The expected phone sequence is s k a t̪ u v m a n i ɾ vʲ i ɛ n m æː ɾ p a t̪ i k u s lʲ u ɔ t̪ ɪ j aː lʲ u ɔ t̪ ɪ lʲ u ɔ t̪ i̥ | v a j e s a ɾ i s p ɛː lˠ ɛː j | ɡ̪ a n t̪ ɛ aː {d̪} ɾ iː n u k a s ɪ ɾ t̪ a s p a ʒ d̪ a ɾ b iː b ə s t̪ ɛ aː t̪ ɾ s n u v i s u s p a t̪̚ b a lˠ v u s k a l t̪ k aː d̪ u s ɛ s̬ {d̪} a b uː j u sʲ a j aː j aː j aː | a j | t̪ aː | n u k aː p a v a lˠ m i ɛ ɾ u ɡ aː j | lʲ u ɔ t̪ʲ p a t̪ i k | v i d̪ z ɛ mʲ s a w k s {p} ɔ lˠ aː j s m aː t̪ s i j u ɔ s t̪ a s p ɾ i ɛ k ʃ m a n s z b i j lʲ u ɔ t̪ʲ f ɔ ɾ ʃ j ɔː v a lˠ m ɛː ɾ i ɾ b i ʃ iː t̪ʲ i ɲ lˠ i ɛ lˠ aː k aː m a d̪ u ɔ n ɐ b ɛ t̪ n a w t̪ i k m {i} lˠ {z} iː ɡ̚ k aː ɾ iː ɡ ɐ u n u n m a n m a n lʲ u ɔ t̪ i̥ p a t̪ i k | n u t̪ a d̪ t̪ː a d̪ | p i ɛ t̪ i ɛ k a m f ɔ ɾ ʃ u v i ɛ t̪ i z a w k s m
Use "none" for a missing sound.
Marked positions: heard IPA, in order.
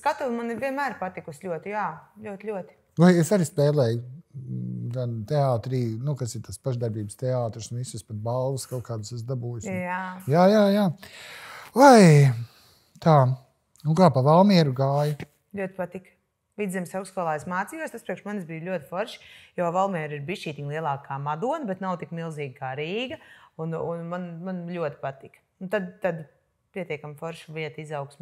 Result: t̪, d̪, k, i, z

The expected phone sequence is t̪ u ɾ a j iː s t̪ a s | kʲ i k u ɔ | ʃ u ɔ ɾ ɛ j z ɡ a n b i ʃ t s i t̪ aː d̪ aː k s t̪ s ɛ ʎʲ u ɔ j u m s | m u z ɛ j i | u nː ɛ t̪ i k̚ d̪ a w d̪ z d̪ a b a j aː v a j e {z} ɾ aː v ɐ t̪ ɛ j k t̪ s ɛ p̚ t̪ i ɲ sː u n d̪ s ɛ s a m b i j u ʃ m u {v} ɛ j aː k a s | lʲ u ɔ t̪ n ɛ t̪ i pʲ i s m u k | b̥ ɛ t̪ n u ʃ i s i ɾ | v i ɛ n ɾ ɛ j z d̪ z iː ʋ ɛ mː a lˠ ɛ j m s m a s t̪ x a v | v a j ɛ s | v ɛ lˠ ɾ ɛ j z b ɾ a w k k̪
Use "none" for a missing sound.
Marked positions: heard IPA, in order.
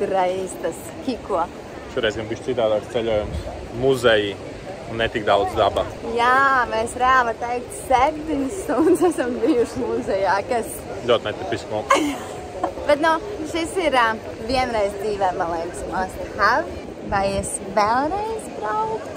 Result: s, z

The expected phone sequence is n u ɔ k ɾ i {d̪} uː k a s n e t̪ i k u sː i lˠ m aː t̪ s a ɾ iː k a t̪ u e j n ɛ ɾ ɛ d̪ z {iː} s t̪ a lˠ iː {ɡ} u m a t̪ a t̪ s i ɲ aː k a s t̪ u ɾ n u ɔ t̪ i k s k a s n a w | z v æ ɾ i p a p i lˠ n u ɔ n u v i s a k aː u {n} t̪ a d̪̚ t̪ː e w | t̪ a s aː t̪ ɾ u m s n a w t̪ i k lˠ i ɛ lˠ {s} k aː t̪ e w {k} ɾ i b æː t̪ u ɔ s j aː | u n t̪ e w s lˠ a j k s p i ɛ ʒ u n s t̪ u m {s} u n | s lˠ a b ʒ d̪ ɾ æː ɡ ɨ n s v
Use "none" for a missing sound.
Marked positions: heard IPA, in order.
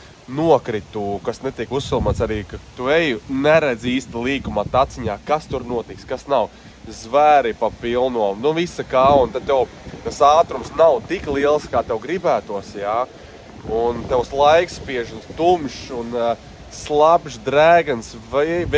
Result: t̪, iː, k, n, s, ɡ, ʃ

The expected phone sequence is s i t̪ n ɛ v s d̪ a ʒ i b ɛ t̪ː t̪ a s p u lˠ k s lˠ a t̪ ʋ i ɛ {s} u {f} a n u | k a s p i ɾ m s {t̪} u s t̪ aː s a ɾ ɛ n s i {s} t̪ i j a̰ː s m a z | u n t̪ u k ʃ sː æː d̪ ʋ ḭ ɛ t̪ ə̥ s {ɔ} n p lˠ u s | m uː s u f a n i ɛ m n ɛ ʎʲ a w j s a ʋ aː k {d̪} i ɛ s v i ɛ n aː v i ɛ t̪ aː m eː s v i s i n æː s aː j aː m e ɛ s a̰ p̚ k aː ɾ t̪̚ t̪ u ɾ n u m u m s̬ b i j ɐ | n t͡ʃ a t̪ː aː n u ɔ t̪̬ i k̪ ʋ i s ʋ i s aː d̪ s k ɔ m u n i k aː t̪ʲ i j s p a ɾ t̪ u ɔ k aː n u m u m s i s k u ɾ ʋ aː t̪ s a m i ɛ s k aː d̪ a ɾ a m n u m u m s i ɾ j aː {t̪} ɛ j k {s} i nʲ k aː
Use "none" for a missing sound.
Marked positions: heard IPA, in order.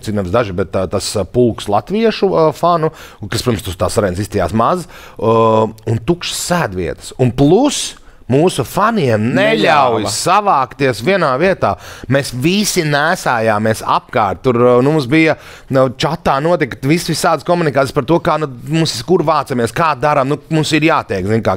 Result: ʃ, f, t̪, s, u, t̪, t̪, z

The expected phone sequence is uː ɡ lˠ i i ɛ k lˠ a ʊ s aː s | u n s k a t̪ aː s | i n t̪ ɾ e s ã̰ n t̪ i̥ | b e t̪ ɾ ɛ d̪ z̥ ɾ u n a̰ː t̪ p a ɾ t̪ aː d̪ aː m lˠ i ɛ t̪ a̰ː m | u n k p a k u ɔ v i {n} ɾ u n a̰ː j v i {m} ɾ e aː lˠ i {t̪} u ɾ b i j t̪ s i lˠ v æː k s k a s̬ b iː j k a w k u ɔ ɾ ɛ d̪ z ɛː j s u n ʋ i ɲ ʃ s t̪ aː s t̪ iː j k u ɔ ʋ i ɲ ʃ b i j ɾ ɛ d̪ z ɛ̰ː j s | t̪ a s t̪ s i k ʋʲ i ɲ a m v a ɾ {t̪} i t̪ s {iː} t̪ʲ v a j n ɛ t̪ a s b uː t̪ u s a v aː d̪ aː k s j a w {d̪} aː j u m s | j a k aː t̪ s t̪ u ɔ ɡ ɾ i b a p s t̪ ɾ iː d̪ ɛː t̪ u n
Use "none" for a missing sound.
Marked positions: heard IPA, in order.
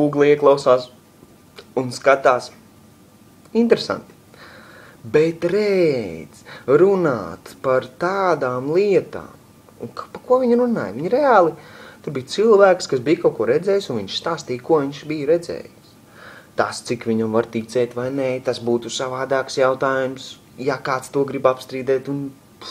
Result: ɲ, ɲ, t̪, t̪, ɛː, t̪

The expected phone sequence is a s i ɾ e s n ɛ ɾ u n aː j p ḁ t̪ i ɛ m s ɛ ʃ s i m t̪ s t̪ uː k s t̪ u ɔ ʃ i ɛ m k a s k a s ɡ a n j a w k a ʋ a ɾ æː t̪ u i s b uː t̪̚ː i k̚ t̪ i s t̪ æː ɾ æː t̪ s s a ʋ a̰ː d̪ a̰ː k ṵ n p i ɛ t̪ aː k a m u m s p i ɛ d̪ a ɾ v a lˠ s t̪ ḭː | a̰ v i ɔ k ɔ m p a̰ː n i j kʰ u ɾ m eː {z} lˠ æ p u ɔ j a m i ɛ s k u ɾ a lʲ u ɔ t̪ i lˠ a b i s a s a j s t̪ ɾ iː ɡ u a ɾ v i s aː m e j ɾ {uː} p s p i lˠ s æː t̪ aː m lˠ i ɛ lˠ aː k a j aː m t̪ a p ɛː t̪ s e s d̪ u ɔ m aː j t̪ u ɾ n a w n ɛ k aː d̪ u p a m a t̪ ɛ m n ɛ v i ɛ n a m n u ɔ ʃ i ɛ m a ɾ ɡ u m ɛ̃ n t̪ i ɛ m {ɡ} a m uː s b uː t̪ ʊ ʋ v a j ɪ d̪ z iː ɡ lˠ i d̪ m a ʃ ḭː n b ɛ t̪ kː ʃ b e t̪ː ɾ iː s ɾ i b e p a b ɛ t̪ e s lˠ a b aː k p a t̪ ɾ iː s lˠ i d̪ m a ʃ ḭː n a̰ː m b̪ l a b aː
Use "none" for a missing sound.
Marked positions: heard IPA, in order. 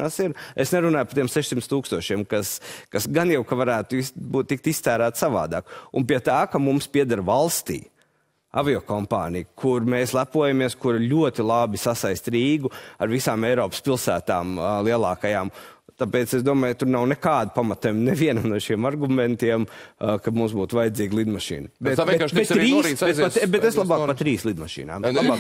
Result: s, ɔː, k

